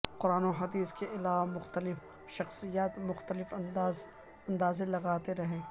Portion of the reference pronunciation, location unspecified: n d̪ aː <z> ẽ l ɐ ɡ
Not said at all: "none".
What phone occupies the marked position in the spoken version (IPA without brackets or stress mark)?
z